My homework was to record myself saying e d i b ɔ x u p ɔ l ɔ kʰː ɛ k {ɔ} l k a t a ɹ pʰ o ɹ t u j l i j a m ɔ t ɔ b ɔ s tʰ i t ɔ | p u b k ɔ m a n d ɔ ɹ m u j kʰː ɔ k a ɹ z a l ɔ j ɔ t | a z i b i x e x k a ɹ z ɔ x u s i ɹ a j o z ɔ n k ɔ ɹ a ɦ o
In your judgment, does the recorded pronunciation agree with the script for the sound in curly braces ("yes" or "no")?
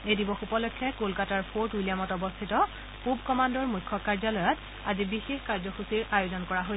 no